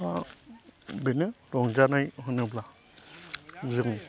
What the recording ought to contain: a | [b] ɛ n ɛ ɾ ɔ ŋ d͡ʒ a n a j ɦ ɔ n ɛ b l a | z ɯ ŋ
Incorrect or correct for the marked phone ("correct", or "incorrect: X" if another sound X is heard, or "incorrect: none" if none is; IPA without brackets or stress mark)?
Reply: correct